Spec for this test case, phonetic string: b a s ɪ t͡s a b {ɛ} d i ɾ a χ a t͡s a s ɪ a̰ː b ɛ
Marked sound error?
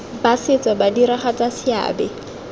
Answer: yes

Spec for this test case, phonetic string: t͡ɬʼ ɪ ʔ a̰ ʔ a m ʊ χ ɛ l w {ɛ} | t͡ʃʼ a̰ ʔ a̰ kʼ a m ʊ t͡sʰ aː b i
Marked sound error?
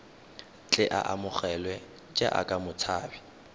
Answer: no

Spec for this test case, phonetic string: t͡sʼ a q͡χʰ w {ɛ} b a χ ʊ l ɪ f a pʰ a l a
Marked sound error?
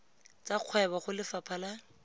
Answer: no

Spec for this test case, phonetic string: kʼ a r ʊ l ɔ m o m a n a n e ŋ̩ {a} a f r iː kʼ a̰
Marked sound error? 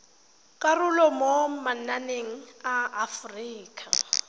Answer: no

